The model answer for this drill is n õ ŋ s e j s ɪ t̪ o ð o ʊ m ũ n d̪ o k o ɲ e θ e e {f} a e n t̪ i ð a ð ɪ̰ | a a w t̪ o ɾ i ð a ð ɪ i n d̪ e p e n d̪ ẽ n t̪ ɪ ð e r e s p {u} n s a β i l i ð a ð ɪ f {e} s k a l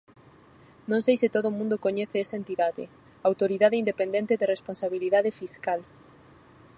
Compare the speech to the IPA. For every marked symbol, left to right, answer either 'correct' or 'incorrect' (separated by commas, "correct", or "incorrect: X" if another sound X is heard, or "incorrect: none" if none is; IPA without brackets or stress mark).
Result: incorrect: s, incorrect: o, incorrect: i